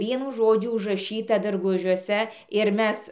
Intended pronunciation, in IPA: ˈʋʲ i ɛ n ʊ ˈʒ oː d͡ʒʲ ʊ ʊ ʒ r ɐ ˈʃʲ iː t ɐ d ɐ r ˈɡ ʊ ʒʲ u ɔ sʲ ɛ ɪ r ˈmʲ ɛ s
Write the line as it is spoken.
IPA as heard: ˈʋʲ i ɛ n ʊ ˈʒ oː d͡ʒʲ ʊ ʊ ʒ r ɐ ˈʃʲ iː t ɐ d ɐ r ˈɡ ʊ ʒʲ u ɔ sʲ ɛ ɪ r ˈmʲ ɛ s

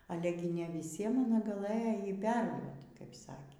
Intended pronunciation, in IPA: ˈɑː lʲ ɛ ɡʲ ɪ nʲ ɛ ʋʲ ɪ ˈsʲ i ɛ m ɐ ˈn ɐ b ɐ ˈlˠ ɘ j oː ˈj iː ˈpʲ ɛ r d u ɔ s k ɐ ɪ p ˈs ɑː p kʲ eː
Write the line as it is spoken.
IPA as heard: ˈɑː lʲ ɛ ɡʲ ɪ nʲ ɛ ʋʲ ɪ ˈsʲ i ɛ m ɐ ˈn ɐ ɡ ɐ ˈlˠ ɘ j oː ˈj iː ˈpʲ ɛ r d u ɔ t k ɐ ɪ p ˈs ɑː kʲ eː

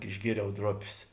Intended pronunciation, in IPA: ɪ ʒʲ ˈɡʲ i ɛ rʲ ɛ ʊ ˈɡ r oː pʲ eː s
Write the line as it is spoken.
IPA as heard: ɪ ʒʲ ˈɡʲ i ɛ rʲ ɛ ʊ ˈd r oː pʲ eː s

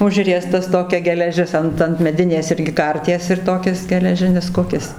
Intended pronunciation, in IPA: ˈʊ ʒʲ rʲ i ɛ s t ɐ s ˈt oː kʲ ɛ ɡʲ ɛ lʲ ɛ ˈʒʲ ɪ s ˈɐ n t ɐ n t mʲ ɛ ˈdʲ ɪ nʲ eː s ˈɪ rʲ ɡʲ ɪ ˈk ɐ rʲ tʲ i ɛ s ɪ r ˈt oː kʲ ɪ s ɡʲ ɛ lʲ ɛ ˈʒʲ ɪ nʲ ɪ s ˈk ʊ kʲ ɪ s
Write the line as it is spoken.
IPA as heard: ˈʊ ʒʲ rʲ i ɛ s t ɐ s ˈt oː kʲ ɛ ɡʲ ɛ lʲ ɛ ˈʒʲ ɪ s ˈɐ n t ɐ n t mʲ ɛ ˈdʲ ɪ nʲ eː s ˈɪ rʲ ɡʲ ɪ ˈk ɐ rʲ tʲ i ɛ s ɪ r ˈt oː kʲ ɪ s ɡʲ ɛ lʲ ɛ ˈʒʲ ɪ nʲ ɪ s ˈk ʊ kʲ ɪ s

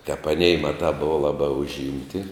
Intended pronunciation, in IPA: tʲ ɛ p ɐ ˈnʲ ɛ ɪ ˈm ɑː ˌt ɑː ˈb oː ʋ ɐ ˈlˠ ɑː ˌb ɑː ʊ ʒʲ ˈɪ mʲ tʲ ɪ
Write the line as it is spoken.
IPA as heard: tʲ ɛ p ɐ ˈnʲ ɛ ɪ ˈm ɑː ˌt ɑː ˈb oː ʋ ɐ ˈlˠ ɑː ˌb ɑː ʊ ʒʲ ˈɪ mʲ tʲ ɪ

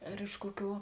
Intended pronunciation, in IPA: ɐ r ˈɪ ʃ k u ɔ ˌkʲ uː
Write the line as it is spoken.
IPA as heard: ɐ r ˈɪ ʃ k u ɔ ˌkʲ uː

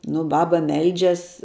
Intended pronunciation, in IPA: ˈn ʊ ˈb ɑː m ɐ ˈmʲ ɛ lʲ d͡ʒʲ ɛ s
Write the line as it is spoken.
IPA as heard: ˈn ʊ ˈb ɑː b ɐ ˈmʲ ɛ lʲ d͡ʒʲ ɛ s

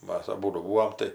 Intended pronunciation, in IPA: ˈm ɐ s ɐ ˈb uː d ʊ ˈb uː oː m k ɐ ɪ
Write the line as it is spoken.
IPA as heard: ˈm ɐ s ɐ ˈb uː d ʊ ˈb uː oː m t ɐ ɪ

